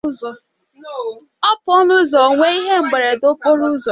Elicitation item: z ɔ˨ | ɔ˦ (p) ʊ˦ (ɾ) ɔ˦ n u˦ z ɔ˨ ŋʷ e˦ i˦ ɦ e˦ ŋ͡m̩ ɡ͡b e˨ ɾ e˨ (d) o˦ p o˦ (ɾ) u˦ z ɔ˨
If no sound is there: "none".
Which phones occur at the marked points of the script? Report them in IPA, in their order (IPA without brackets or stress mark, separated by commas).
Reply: p, none, d, ɾ